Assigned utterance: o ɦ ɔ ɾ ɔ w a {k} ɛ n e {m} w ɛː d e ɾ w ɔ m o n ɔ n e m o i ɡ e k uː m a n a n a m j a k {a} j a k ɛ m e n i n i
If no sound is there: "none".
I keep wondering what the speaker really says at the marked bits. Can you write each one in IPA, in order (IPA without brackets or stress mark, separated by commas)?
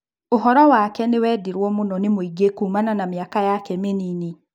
k, none, a